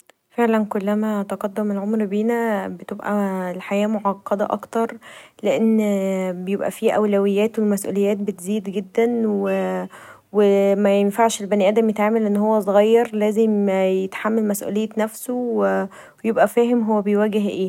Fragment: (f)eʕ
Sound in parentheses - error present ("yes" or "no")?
no